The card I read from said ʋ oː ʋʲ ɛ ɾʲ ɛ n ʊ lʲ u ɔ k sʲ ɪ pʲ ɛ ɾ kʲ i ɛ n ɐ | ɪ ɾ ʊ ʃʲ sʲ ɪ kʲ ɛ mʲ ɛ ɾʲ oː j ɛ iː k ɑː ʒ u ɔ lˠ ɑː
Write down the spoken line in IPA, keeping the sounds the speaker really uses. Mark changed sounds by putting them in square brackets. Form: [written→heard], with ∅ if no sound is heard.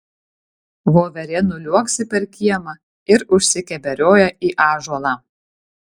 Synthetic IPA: ʋ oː ʋʲ ɛ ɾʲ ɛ n ʊ lʲ u ɔ k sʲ ɪ pʲ ɛ ɾ kʲ i ɛ [n→m] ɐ | ɪ ɾ ʊ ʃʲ sʲ ɪ kʲ ɛ [mʲ→bʲ] ɛ ɾʲ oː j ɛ iː [k→ʔ] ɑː ʒ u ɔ lˠ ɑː